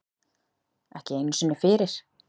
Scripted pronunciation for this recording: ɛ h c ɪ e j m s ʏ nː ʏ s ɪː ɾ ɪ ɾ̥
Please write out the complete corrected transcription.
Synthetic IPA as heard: ɛ h c ɪ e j n s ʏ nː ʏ f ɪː ɾ ɪ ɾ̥